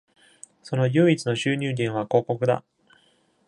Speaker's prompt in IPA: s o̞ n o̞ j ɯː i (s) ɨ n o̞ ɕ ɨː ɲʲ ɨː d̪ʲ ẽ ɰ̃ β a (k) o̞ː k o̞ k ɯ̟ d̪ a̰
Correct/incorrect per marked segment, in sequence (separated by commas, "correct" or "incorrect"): incorrect, correct